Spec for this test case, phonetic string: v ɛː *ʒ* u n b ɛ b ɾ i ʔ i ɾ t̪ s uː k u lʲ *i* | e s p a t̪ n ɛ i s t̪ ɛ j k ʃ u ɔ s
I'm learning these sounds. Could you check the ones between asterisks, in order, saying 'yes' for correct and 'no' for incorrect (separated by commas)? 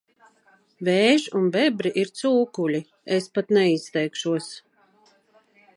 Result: yes, yes